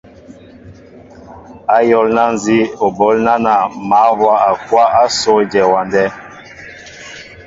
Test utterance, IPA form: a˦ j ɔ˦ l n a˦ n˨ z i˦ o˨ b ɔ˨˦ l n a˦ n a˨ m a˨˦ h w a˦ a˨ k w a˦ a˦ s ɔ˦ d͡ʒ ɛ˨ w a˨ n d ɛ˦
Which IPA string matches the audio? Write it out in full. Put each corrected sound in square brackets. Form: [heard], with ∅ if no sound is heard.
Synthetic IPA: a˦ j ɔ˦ l n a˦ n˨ z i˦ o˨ b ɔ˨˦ l n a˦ n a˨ m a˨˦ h w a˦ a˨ k w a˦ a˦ s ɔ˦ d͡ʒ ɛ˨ w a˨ n d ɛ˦